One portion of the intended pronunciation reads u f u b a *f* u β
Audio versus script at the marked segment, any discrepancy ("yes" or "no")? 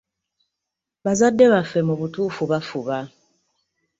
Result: no